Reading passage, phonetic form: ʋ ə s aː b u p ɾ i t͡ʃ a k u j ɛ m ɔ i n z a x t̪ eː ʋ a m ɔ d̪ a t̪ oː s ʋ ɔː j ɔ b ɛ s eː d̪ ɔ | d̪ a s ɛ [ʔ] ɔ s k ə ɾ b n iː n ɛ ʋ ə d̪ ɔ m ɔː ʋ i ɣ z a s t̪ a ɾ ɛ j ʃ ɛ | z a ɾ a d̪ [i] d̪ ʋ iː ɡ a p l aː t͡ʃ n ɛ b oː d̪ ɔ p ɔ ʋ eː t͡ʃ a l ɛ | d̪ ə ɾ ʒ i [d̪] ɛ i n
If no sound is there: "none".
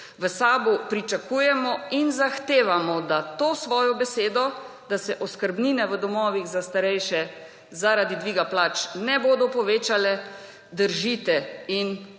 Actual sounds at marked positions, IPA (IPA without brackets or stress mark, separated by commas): ʔ, i, t̪